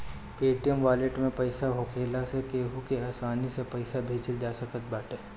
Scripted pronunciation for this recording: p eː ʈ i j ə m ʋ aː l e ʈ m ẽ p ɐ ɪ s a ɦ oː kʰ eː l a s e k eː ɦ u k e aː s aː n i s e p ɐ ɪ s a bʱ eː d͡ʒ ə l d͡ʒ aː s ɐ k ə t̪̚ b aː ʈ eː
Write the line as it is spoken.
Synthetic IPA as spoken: p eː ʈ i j ə m ʋ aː l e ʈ m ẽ p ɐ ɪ s a ɦ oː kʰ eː l a s e k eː ɦ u k e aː s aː n i s e p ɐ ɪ s a bʱ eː d͡ʒ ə l d͡ʒ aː s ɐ k ə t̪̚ b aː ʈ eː